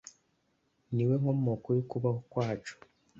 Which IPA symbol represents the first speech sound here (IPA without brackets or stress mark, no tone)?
n